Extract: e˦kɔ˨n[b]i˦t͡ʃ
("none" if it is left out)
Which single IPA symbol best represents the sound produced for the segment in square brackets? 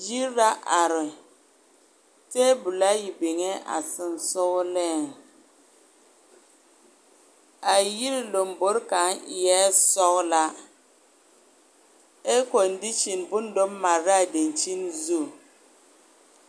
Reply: d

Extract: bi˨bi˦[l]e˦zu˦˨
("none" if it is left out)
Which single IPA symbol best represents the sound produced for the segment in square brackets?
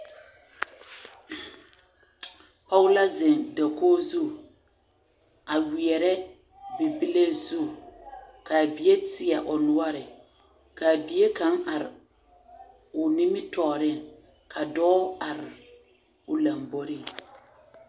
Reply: l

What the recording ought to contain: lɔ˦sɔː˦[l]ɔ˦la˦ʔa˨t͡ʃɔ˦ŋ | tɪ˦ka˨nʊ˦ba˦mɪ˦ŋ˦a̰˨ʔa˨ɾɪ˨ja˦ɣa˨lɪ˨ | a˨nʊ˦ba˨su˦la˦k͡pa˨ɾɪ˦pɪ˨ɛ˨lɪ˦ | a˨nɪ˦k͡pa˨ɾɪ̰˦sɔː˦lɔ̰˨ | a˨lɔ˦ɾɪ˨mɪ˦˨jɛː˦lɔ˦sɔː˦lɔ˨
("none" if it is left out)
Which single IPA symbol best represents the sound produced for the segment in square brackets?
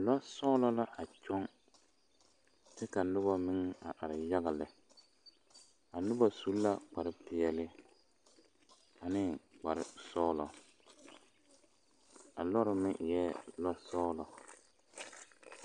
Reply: l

